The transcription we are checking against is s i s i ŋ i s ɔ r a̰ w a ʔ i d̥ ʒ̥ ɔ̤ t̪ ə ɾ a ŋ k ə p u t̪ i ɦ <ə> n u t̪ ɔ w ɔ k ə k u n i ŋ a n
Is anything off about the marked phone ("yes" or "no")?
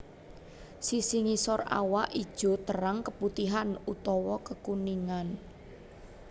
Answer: yes